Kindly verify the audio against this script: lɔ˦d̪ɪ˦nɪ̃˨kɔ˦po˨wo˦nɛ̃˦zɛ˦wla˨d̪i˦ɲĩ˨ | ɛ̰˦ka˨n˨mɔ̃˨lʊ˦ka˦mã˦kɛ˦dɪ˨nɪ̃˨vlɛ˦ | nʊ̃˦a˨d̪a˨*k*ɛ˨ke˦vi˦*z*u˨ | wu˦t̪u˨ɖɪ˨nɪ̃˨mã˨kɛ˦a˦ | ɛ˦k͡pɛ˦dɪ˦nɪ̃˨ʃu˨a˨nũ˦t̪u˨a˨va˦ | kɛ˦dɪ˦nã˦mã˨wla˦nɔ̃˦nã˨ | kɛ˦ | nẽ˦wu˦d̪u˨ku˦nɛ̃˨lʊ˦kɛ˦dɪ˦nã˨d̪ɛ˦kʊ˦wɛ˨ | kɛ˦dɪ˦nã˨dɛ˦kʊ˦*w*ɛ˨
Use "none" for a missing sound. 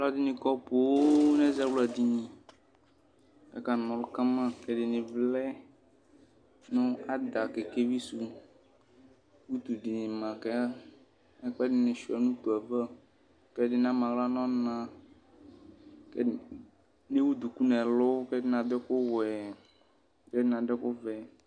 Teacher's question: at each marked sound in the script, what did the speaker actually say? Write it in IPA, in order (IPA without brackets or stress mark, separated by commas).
k, s, v